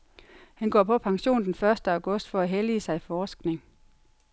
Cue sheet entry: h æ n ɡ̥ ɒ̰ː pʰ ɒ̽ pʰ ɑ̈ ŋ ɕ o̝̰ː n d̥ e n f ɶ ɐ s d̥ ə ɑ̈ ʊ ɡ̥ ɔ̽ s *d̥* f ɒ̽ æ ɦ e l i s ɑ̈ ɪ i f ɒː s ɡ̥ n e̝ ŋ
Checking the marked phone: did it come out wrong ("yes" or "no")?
no